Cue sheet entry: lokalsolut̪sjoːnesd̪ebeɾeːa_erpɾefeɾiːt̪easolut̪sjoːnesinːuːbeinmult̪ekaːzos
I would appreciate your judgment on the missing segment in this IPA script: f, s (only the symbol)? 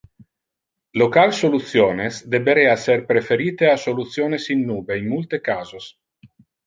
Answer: s